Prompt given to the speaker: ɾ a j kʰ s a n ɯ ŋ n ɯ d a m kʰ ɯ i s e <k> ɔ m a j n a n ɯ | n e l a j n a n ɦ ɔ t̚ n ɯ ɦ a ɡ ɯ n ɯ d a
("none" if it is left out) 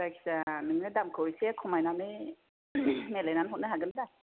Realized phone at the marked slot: kʰ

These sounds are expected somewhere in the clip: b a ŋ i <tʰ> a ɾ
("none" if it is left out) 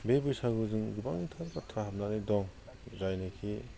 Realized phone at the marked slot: tʰ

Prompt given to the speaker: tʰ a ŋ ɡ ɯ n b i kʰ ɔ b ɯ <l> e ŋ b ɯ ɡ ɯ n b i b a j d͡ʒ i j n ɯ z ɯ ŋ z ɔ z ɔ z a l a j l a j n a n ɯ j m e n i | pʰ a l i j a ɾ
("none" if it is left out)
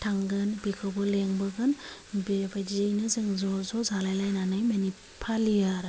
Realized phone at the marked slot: l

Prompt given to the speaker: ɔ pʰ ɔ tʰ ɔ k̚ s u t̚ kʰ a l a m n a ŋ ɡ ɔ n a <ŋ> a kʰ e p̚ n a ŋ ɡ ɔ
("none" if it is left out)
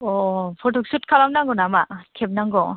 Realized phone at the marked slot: m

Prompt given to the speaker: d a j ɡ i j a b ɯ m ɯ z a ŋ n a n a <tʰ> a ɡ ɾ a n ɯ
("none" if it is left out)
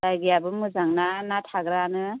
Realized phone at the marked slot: tʰ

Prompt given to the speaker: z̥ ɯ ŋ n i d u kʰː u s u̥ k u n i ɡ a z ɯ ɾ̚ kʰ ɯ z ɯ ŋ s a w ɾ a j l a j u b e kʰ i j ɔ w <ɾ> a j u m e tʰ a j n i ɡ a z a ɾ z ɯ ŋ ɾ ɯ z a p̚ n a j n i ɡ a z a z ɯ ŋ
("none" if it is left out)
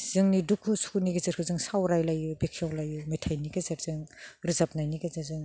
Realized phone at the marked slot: l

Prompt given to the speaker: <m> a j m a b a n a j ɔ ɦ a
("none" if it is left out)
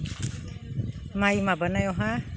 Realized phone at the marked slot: m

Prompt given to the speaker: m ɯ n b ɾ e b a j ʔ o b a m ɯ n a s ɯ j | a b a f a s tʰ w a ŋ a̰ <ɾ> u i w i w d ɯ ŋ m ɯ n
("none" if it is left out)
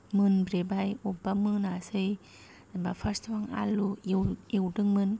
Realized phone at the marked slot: l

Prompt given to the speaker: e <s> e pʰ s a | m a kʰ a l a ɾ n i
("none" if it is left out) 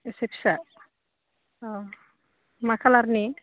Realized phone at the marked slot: s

